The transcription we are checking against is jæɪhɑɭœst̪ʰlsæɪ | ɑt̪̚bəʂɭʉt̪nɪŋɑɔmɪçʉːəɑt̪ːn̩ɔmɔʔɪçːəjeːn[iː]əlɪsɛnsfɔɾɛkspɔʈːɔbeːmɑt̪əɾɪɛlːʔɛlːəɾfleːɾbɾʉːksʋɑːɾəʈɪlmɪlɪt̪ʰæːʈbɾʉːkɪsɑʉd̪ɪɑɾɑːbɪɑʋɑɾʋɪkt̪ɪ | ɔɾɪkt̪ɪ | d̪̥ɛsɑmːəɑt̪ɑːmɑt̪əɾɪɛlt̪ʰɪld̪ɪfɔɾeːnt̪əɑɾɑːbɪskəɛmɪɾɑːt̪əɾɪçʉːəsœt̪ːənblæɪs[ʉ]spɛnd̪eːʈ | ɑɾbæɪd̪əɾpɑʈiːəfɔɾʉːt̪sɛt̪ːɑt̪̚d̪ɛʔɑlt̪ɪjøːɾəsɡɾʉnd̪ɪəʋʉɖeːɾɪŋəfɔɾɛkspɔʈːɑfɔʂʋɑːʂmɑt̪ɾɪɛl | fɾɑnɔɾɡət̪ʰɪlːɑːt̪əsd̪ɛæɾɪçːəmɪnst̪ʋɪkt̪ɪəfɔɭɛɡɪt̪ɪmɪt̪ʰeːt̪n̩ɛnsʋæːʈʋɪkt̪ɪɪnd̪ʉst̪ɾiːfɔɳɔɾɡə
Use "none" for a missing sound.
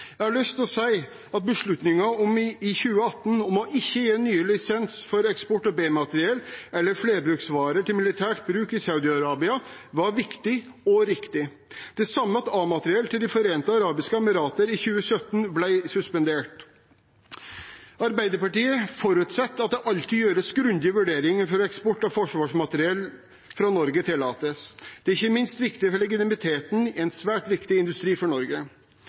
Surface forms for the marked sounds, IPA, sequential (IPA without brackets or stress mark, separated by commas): yː, ʉ